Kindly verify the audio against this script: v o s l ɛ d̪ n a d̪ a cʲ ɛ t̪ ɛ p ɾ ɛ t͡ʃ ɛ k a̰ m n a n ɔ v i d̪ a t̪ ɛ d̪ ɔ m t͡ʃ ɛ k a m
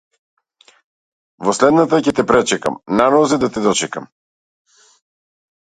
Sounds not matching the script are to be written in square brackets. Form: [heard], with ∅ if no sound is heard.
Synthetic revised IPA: v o s l ɛ d̪ n a [t̪] a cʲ ɛ t̪ ɛ p ɾ ɛ t͡ʃ ɛ k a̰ m n a n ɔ [z] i d̪ a t̪ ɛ d̪ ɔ [∅] t͡ʃ ɛ k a m